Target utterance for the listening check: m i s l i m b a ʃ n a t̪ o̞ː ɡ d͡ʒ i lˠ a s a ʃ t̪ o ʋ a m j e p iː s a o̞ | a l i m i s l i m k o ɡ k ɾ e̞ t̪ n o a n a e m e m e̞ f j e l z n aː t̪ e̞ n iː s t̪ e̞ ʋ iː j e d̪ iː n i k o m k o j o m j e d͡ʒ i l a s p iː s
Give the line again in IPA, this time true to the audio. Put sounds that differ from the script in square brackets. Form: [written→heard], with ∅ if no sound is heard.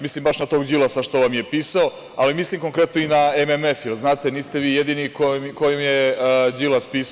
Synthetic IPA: m i s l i m b a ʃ n a t̪ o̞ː ɡ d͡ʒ i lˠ a s a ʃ t̪ o ʋ a m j e p iː s a o̞ | a l i m i s l i m k o [ɡ→ŋ] k ɾ e̞ t̪ n o [a→i] n a e m e m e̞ f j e l z n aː t̪ e̞ n iː s t̪ e̞ ʋ iː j e d̪ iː n i k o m k o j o m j e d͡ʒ i l a s p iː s

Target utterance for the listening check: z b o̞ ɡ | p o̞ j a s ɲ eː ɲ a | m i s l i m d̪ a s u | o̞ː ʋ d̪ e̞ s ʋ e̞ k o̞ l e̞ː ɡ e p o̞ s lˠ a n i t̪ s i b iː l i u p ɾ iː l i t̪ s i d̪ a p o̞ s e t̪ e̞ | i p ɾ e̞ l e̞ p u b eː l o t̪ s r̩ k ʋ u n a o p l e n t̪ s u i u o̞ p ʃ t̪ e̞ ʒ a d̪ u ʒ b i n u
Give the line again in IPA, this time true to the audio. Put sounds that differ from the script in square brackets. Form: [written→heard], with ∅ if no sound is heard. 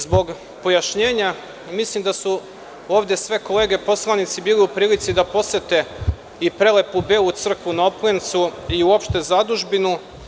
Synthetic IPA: z b o̞ ɡ | p o̞ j a [s→ʃ] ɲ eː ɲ a | m i s l i m d̪ a s u | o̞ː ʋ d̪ e̞ s ʋ e̞ k o̞ l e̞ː ɡ e p o̞ s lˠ a n i t̪ s i b iː l i u p ɾ iː l i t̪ s i d̪ a p o̞ s e t̪ e̞ | i p ɾ e̞ l e̞ p u b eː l [o→u] t̪ s r̩ k ʋ u n a o p l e n t̪ s u i u o̞ p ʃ t̪ e̞ [ʒ→z] a d̪ u ʒ b i n u

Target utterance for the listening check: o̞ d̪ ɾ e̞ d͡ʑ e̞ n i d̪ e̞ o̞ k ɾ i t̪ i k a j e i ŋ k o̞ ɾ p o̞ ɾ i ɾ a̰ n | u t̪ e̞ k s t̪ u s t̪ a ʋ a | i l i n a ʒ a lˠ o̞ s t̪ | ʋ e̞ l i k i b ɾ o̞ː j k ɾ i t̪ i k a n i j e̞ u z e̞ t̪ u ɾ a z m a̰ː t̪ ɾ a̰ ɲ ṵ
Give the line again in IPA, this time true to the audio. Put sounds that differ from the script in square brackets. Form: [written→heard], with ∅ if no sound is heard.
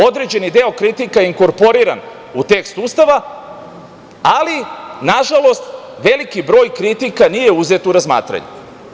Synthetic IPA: o̞ d̪ ɾ e̞ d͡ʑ e̞ n i d̪ e̞ o̞ k ɾ i t̪ i k a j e i ŋ k o̞ ɾ p o̞ ɾ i ɾ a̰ n | u t̪ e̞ k s t̪ u s t̪ a ʋ a | [i→a] l i n a ʒ a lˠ o̞ s t̪ | ʋ e̞ l i k i b ɾ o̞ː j k ɾ i t̪ i k a n i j e̞ u z e̞ t̪ u ɾ a z m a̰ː t̪ ɾ a̰ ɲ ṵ

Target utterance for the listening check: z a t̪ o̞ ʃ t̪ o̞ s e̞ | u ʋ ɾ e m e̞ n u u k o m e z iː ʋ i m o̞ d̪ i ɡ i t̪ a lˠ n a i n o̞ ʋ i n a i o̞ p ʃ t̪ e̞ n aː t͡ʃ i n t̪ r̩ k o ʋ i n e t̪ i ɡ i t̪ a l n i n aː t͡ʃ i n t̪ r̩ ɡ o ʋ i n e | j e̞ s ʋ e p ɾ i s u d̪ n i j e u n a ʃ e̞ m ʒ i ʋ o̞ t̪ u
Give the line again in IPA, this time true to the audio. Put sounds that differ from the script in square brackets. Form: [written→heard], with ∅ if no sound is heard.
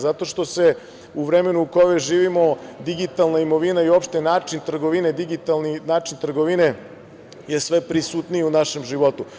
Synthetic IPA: z a t̪ o̞ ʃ t̪ o̞ s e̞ | u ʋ ɾ e m e̞ n u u k o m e [z→ʒ] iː ʋ i m o̞ d̪ i ɡ i t̪ a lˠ n a i [n→m] o̞ ʋ i n a i o̞ p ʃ t̪ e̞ n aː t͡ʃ i n t̪ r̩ [k→ɡ] o ʋ i n e [t̪→d̪] i ɡ i t̪ a l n i n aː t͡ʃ i n t̪ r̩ ɡ o ʋ i n e | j e̞ s ʋ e p ɾ i s u [d̪→t̪] n i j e u n a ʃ e̞ m ʒ i ʋ o̞ t̪ u

